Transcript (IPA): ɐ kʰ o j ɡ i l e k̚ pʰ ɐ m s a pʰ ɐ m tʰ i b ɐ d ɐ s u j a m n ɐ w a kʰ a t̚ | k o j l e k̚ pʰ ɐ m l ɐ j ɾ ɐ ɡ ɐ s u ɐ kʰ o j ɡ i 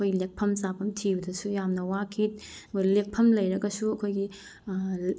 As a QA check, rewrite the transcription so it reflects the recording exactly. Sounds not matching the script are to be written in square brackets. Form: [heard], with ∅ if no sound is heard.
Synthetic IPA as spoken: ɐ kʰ o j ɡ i l e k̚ pʰ ɐ m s a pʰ ɐ m tʰ i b ɐ d ɐ s u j a m n ɐ w a kʰ [i] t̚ | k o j l e k̚ pʰ ɐ m l ɐ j ɾ ɐ ɡ ɐ s u ɐ kʰ o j ɡ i